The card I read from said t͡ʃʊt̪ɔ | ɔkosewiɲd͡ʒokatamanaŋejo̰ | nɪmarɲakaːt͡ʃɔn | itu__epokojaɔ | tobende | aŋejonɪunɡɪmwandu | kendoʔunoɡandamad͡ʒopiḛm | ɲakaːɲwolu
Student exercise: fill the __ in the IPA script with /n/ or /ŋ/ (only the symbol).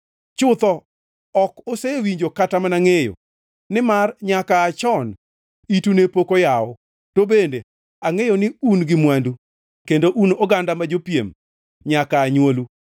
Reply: n